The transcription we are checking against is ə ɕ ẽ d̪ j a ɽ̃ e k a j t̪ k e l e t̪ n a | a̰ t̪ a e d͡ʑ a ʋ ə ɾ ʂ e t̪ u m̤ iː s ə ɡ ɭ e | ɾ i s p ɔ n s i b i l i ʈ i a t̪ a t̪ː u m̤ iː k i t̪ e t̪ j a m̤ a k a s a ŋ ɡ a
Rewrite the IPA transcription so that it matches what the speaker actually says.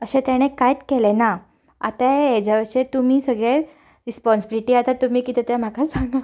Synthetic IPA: ə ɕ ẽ t̪ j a ɽ̃ e k a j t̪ k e l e n a | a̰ t̪ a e d͡ʑ a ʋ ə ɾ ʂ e t̪ u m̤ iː s ə ɡ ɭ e | ɾ i s p ɔ n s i b i l i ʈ i a t̪ a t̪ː u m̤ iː k i t̪ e t̪ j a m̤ a k a s a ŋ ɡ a